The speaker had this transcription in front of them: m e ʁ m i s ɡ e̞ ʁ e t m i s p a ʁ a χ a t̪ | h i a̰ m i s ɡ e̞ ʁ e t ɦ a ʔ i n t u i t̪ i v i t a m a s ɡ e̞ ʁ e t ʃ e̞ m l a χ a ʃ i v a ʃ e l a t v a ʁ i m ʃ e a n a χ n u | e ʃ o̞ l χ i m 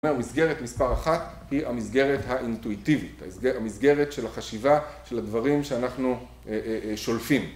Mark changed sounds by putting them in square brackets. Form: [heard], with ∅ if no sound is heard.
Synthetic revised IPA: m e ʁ m i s ɡ e̞ ʁ e t m i s p a ʁ a χ a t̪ | h i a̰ m i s ɡ e̞ ʁ e t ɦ a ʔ i n t u i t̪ i v i t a m [i] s ɡ e̞ ʁ e t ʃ e̞ [∅] l a χ a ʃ i v a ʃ e l a [d] v a ʁ i m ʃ e a n a χ n u | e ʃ o̞ l [f] i m

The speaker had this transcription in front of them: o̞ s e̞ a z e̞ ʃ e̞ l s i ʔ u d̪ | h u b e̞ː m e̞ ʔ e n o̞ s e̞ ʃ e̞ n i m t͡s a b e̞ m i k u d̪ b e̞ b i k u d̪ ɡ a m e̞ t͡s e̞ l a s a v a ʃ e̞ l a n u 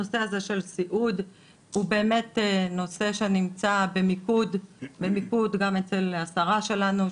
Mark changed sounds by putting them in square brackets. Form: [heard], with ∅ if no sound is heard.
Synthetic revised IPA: o̞ s e̞ a z e̞ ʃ e̞ l s i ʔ u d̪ | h u b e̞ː m e̞ [t] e n o̞ s e̞ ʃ e̞ n i m t͡s a b e̞ m i k u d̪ b e̞ [m] i k u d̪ ɡ a m e̞ t͡s e̞ l a s a [ʁ] a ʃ e̞ l a n u

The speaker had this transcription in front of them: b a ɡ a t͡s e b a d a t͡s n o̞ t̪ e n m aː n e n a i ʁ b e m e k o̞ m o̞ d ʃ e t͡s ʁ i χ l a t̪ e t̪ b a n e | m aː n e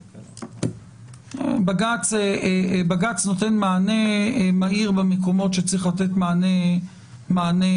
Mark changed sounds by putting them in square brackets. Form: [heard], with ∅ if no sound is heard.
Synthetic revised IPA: b a ɡ a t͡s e b a [ɡ] a t͡s n o̞ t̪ e n m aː n e [m] a i ʁ b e m e k o̞ m o̞ [t] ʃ e t͡s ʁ i χ l a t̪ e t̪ [m] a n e | m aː n e

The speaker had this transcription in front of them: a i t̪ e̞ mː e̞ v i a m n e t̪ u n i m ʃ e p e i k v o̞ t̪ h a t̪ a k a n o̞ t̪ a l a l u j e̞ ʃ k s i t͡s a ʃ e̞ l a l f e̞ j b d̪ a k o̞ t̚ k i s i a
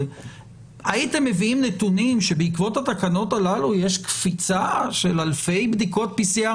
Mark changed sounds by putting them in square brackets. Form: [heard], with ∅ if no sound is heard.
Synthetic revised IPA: a i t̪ e̞ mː e̞ v i [i] m n e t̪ u n i m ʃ e [b] e i k v o̞ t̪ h a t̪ a k a n o̞ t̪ a l a l u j e̞ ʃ k [f] i t͡s a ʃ e̞ l a l f e̞ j b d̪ [i] k o̞ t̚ [p] i s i a

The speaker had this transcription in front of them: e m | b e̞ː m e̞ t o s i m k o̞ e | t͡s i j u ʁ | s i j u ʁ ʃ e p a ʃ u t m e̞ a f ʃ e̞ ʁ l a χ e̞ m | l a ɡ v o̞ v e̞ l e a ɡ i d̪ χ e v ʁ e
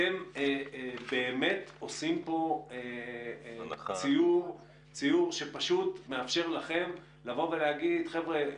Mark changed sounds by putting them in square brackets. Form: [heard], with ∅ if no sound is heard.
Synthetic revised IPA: e m | b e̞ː m e̞ t o s i m [p] o̞ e | t͡s i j u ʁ | [t͡s] i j u ʁ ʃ e p a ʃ u t m e̞ a f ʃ e̞ ʁ l a χ e̞ m | l a [∅] v o̞ v e̞ l e a ɡ i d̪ χ e v ʁ e

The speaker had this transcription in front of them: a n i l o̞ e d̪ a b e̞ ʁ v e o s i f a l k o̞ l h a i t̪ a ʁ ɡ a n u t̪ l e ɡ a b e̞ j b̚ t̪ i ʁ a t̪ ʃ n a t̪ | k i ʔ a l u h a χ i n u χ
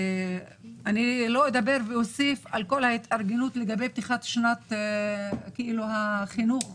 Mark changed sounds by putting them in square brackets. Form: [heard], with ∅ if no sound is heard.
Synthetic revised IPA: a n i l o̞ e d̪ a b e̞ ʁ v e o s i f a l k o̞ l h a i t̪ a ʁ ɡ [e] n u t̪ l e ɡ a b e̞ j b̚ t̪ i [χ] a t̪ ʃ n a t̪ | k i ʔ [i] l u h a χ i n u χ

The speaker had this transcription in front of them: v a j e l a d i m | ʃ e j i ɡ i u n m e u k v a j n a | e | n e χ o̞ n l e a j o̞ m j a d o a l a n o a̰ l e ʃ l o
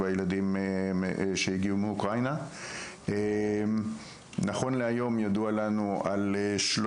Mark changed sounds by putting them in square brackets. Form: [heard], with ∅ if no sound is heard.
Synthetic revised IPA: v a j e l a d i m | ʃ e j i ɡ i u [∅] m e u k [ʁ] a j n a | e | n [a] χ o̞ n l e a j o̞ m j a d [u] a l a n [u] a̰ l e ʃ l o

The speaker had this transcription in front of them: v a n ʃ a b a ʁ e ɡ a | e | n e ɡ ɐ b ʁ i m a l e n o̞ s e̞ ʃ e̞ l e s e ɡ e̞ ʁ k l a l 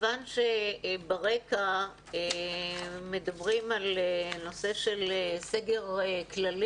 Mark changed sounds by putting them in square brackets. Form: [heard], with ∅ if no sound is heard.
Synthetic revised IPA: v a n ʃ [e] b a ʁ e [k] a | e | [m] e [d] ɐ b ʁ i m a l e n o̞ s e̞ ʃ e̞ l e s e ɡ e̞ ʁ k l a l

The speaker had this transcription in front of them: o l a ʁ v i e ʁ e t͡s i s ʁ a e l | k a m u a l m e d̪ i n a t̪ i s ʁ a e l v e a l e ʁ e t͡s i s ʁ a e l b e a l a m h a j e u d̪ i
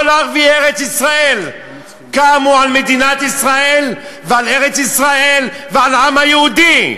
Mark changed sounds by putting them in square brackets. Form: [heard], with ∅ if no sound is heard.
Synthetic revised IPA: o l a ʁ v i e ʁ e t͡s i s ʁ a e l | k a m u a l m e d̪ i n a t̪ i s ʁ a e l v e a l e ʁ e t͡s i s ʁ a e l [v] e a l a m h a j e u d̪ i

